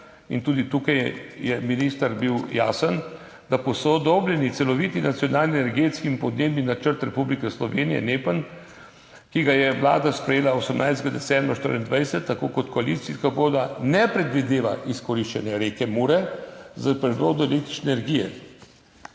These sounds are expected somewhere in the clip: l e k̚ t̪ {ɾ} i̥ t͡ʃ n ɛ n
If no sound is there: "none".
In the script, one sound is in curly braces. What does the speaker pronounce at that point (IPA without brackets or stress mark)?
ɾ